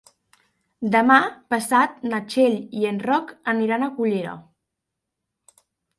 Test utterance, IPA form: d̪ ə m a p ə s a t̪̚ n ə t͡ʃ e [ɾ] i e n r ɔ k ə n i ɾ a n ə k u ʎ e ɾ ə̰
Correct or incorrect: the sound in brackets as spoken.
incorrect: ʎ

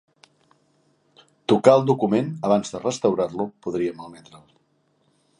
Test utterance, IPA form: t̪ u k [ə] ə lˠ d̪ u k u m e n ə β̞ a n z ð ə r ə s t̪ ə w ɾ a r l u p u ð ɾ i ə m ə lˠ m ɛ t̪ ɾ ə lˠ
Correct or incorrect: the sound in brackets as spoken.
incorrect: a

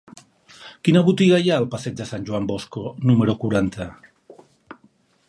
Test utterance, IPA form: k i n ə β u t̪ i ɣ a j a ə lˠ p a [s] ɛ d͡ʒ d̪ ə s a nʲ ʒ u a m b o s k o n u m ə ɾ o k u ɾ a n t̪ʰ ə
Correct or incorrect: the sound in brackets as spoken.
correct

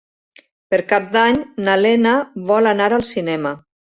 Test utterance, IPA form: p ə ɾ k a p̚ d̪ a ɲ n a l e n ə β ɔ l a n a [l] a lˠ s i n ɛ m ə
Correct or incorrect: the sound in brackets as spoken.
incorrect: ɾ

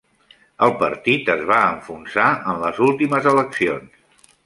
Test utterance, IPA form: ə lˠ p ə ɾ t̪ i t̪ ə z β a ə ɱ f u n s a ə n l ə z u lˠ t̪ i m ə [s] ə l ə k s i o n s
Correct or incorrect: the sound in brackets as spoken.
incorrect: z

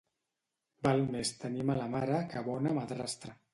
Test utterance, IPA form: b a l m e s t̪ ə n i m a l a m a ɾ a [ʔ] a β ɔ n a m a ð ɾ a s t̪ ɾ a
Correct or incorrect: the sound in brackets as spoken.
incorrect: k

